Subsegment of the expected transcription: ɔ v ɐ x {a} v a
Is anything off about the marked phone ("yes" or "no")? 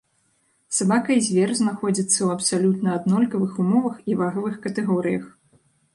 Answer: yes